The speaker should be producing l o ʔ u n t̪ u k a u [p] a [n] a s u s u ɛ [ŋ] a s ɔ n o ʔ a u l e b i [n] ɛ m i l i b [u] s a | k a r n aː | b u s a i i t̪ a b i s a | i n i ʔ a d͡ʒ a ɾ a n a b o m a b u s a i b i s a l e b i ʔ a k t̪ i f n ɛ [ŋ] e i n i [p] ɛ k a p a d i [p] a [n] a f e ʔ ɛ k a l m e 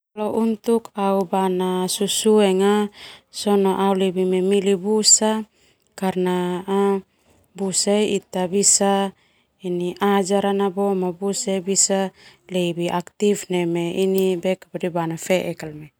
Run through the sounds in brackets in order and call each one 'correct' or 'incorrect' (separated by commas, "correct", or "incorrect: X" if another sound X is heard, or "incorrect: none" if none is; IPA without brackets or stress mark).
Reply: incorrect: b, correct, correct, incorrect: m, correct, incorrect: m, incorrect: b, incorrect: b, correct